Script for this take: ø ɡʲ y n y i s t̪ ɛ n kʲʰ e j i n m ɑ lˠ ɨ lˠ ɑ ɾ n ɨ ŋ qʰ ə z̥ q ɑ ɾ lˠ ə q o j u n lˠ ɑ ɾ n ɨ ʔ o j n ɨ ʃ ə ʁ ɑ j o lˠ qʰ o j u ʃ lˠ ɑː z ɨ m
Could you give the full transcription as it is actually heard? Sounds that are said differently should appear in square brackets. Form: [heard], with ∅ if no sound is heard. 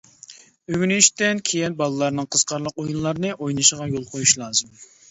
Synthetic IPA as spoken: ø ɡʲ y n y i [ʃ] t̪ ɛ n kʲʰ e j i n [b] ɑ lˠ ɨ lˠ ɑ ɾ n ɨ ŋ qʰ ə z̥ q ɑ ɾ lˠ ə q o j u n lˠ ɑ ɾ n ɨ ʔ o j n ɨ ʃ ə ʁ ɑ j o lˠ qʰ o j u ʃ lˠ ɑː z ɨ m